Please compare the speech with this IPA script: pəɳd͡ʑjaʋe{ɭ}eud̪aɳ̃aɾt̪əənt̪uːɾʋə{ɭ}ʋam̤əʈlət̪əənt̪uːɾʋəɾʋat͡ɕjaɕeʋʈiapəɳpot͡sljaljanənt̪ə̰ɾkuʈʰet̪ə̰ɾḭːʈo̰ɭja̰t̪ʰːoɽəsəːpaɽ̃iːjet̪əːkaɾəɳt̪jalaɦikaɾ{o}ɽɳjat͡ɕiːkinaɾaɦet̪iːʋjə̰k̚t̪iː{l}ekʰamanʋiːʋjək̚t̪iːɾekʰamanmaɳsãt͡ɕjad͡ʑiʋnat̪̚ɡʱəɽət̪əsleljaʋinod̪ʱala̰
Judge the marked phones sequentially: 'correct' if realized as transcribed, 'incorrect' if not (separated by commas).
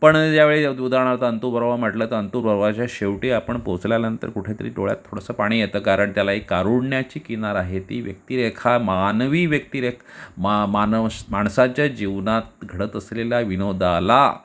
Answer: correct, incorrect, incorrect, incorrect